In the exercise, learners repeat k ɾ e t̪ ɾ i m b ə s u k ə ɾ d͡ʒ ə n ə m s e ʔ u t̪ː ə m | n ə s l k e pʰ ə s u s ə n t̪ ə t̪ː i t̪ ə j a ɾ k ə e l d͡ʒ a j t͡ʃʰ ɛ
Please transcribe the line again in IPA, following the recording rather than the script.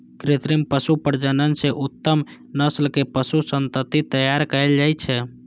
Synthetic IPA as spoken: k ɾ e t̪ ɾ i m p ə s u p ə ɾ d͡ʒ ə n ə n s e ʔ u t̪ː ə m | n ə s l k e p ə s u s ə n t̪ ə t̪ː i t̪ ə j a ɾ k ə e l d͡ʒ a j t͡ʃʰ ɛ